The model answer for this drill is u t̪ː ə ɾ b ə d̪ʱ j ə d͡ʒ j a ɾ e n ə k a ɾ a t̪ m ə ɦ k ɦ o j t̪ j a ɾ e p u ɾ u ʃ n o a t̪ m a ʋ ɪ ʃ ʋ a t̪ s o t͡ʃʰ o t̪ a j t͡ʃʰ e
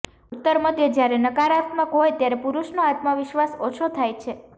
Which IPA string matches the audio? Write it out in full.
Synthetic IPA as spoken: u t̪ː ə ɾ m ə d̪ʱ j ə d͡ʒ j a ɾ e n ə k a ɾ a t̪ m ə k ɦ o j t̪ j a ɾ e p u ɾ u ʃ n o a t̪ m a ʋ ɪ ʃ ʋ a s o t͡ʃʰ o t̪ʰ a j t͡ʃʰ e